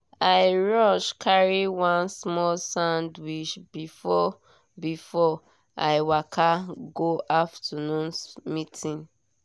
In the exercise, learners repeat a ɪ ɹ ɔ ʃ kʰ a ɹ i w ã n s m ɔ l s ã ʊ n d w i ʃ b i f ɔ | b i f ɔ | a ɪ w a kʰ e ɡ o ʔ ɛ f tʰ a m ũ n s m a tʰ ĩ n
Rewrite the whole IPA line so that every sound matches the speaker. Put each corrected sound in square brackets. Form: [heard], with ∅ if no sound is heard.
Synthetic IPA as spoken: a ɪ ɹ ɔ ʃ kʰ a ɹ i w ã n s m ɔ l s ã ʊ n d w i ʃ b i f ɔ | b i f ɔ | a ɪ w a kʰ [a] ɡ o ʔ [a] f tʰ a [n] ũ n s m [i] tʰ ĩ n